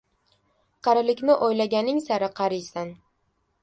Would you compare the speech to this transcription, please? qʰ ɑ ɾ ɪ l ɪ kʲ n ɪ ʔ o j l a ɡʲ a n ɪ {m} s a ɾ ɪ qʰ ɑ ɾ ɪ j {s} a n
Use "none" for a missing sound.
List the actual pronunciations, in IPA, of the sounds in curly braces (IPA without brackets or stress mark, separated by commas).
ŋ, s